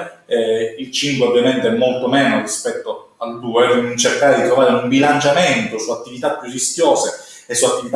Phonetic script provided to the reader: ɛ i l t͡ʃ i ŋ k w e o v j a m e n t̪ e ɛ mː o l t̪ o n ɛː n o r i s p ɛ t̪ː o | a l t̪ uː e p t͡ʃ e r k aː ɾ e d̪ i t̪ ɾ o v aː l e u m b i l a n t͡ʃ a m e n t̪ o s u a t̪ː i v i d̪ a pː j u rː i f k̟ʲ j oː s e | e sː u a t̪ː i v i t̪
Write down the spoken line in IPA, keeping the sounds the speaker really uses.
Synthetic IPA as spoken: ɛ i l t͡ʃ i ŋ k w e o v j a m e n t̪ e ɛ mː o l t̪ o m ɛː n o r i s p ɛ t̪ː o | a l d̪ uː e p t͡ʃ e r k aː ɾ e d̪ i t̪ ɾ o v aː ɾ e u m b i l a n t͡ʃ a m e n t̪ o s u a t̪ː i v i t̪ a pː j u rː i s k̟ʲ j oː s e | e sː u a t̪ː i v i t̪